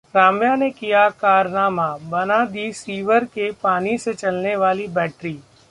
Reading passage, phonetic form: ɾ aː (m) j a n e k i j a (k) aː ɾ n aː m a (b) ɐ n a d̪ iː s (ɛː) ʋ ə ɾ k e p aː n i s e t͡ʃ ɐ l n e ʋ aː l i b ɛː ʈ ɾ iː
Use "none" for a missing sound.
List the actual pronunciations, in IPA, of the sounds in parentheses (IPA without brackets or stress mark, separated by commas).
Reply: m, k, b, iː